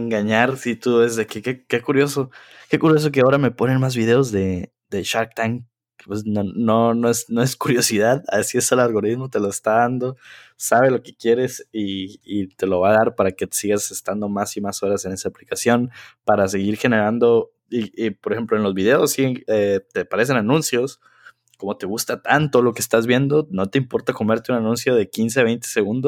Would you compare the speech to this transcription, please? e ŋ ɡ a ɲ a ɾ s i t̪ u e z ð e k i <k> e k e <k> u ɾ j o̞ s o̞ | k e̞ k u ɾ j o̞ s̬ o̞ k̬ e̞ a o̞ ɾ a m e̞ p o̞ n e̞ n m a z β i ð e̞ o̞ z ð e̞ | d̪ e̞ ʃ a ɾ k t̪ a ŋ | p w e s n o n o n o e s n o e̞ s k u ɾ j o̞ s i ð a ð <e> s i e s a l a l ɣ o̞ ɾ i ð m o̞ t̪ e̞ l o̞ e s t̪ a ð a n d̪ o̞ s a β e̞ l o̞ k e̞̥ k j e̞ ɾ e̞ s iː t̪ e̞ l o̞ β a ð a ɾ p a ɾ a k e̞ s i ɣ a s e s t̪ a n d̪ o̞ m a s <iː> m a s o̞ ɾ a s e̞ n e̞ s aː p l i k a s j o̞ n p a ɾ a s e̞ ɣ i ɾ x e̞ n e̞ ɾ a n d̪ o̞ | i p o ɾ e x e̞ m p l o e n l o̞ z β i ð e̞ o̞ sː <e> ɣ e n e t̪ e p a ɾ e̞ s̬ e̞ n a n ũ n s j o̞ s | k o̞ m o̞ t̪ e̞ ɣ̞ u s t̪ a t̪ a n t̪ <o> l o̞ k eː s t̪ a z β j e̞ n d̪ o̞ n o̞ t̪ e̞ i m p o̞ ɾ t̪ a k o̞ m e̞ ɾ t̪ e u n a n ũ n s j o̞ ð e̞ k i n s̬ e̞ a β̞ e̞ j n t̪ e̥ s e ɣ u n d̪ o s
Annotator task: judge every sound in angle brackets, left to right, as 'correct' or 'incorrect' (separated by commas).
correct, correct, incorrect, incorrect, incorrect, correct